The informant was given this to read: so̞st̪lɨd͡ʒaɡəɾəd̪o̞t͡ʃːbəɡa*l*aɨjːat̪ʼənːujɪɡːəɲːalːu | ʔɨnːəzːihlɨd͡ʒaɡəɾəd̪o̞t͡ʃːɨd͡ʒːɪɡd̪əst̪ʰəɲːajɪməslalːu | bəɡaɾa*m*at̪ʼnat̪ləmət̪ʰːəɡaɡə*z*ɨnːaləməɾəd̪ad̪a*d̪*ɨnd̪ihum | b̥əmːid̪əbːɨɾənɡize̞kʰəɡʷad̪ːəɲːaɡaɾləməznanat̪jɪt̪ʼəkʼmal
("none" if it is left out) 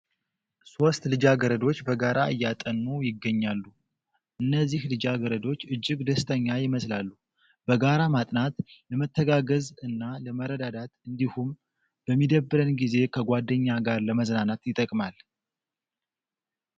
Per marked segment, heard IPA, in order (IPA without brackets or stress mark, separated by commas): ɾ, m, z, t̪